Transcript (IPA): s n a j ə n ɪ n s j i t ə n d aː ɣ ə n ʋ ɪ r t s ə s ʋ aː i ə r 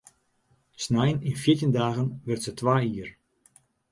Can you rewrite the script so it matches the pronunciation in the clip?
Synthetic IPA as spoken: s n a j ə n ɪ n f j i t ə n d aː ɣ ə n ʋ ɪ r t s ə t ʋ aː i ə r